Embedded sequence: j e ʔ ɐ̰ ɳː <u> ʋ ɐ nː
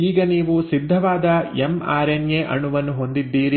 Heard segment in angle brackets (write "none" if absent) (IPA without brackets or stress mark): u